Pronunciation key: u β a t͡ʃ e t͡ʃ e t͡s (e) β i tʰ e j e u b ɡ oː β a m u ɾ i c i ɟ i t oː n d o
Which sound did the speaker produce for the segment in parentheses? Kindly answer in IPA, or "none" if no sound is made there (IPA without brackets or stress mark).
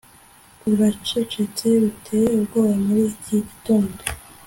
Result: e